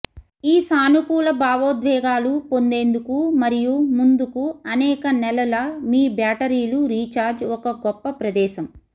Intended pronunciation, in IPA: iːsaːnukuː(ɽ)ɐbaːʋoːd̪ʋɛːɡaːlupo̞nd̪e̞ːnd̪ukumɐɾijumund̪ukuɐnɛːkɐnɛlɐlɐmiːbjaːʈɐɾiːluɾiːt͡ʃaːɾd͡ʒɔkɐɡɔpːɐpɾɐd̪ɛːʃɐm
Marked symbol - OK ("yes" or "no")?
no